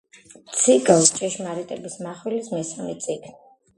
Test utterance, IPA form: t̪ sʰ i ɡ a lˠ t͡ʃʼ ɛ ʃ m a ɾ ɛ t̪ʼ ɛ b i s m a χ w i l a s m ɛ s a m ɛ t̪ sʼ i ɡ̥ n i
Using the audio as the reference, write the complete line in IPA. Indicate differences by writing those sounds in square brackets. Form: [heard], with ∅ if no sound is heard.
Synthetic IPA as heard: t̪ sʰ i ɡ a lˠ t͡ʃʼ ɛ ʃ m a ɾ [i] t̪ʼ ɛ b i s m a χ w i l [i] s m ɛ s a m ɛ t̪ sʼ i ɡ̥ n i

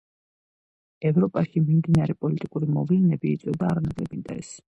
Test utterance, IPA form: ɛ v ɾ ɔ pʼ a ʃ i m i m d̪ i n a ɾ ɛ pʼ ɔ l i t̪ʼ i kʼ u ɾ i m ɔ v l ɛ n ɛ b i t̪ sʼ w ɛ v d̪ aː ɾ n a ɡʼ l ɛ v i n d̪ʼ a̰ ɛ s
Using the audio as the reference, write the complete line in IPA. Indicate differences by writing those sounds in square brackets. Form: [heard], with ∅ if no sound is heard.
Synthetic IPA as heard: ɛ v ɾ ɔ pʼ a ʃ i m i m d̪ i n a ɾ ɛ pʼ ɔ l i t̪ʼ i kʼ u ɾ i m ɔ v l ɛ n ɛ b [iː] t̪ sʼ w ɛ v d̪ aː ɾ n a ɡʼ l ɛ [b] i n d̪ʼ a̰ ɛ s

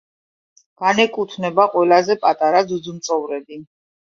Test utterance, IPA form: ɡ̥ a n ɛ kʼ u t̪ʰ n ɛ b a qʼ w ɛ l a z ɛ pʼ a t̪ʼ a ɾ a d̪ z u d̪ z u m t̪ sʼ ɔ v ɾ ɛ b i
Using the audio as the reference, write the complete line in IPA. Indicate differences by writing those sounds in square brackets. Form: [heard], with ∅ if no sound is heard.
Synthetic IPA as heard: ɡ̥ a n ɛ kʼ u t̪ʰ n ɛ b a qʼ w ɛ l a z ɛ pʼ a t̪ʼ a ɾ a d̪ z u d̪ z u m t̪ sʼ ɔ v ɾ ɛ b i

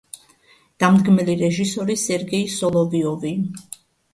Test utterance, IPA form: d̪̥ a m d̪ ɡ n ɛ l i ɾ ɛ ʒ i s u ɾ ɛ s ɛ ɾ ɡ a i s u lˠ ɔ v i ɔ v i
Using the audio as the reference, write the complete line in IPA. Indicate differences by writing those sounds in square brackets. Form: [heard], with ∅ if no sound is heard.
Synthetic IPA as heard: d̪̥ a m d̪ ɡ [m] ɛ l i ɾ ɛ ʒ i s [ɔ] ɾ [i] s ɛ ɾ ɡ [ɛ] i s [ɔ] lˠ ɔ v i ɔ v i

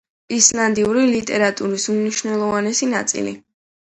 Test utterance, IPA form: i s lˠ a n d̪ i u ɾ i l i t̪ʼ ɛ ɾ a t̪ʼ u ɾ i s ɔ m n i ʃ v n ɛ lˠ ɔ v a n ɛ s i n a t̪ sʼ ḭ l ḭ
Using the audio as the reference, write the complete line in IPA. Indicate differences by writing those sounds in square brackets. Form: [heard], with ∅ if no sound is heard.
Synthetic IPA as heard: i s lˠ a n d̪ i u ɾ i l i t̪ʼ ɛ ɾ a t̪ʼ u ɾ i s [u] m n i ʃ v n ɛ lˠ ɔ v a n ɛ s i n a t̪ sʼ ḭ l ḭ

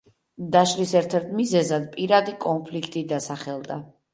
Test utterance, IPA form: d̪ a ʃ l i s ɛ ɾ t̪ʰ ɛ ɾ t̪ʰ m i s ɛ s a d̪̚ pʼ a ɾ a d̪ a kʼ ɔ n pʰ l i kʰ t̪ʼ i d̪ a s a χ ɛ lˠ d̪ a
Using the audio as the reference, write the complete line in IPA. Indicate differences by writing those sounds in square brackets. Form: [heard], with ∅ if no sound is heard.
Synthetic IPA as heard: d̪ a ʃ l i s ɛ ɾ t̪ʰ ɛ ɾ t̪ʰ m i [z] ɛ [z] a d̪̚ pʼ [i] ɾ a d̪ [i] kʼ ɔ n pʰ l i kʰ t̪ʼ i d̪ a s a χ ɛ lˠ d̪ a

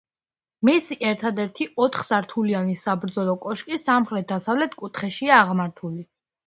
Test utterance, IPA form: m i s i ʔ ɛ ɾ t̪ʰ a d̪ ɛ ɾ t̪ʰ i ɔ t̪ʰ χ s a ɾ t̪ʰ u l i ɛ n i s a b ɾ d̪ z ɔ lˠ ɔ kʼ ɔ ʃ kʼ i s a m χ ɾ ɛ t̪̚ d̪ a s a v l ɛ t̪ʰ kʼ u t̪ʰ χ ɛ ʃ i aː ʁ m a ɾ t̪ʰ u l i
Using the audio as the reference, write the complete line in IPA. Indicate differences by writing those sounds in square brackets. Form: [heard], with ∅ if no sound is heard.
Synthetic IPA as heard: m i s i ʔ ɛ ɾ t̪ʰ a d̪ ɛ ɾ t̪ʰ i ɔ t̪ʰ χ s a ɾ t̪ʰ u l i [a] n i s a b ɾ d̪ z ɔ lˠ ɔ kʼ ɔ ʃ kʼ i s a m χ ɾ ɛ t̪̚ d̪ a s a v l ɛ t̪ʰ kʼ u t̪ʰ χ ɛ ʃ i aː ʁ m a ɾ t̪ʰ u l i

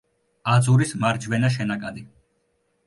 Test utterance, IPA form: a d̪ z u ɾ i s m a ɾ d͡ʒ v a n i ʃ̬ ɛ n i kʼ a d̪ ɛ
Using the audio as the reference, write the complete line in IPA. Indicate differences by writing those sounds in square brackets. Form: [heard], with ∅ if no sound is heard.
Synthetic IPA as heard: a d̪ z u ɾ i s m a ɾ d͡ʒ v [ɛ] n [a] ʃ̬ ɛ n [a] kʼ a d̪ [i]

